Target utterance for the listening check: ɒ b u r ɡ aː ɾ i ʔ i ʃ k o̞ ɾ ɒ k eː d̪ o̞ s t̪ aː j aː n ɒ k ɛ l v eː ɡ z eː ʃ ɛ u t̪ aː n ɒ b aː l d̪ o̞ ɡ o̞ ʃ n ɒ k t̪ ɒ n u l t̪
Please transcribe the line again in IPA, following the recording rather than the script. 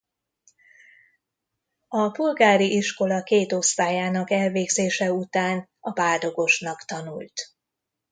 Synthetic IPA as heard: ɒ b u l ɡ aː ɾ i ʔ i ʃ k o̞ l ɒ k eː t̪ o̞ s t̪ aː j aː n ɒ k ɛ l v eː ɡ z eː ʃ ɛ u t̪ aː n ɒ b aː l d̪ o̞ ɡ o̞ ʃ n ɒ k t̪ ɒ n u l t̪